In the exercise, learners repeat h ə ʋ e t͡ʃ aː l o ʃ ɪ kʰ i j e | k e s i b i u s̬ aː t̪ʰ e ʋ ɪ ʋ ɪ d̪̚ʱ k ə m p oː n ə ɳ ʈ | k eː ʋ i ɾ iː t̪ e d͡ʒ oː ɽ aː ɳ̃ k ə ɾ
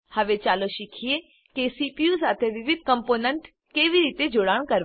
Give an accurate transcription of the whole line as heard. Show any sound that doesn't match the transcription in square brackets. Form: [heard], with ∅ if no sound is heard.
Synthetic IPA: h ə ʋ e t͡ʃ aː l o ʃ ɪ kʰ i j e | k e s i [p] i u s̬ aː t̪ʰ e ʋ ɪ ʋ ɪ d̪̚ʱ k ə m p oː n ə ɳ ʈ | k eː ʋ i ɾ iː t̪ e d͡ʒ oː ɽ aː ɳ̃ k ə ɾ